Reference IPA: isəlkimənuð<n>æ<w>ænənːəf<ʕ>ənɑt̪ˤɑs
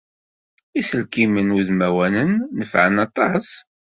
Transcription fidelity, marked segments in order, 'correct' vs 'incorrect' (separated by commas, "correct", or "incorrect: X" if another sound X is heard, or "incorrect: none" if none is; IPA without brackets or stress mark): incorrect: m, correct, correct